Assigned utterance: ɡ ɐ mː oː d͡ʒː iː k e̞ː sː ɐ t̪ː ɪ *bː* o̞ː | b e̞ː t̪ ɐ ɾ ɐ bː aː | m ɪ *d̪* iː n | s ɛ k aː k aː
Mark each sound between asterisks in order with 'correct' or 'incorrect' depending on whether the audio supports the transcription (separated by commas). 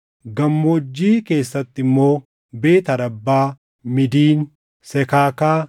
incorrect, correct